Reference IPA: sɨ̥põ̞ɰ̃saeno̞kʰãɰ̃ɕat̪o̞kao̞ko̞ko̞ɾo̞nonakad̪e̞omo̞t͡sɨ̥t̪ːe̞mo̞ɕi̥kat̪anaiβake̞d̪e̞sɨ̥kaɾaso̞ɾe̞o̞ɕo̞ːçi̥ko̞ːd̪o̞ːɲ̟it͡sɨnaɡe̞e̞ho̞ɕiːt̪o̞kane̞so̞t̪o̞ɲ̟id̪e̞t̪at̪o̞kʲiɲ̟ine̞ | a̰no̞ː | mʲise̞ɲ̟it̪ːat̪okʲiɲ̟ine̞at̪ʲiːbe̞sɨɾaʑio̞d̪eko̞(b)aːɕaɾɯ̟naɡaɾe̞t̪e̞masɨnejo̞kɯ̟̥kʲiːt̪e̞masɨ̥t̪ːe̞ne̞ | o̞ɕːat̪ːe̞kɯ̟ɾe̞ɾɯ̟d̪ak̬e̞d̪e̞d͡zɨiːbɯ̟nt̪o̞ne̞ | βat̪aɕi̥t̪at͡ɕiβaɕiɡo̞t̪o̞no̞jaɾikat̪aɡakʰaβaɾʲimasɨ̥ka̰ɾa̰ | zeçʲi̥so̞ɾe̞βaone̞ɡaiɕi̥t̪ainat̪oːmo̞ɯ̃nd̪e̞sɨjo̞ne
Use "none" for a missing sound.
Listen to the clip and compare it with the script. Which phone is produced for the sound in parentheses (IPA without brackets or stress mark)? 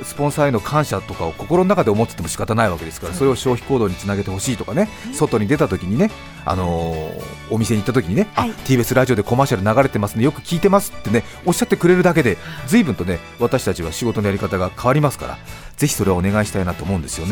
m